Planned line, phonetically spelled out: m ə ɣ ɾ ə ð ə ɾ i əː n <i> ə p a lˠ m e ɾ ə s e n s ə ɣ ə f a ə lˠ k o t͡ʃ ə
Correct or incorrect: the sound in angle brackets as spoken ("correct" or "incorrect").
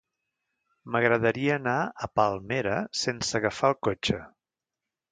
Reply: incorrect